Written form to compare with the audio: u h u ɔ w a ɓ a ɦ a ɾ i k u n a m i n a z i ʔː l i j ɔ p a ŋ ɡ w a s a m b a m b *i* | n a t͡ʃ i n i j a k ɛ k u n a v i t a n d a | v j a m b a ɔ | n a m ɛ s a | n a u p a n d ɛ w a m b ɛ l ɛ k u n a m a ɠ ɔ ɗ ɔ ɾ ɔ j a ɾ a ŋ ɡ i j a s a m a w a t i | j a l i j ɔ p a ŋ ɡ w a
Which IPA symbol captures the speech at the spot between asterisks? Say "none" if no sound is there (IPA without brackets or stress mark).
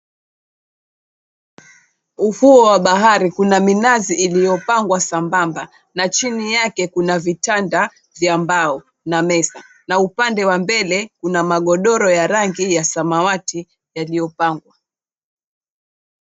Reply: a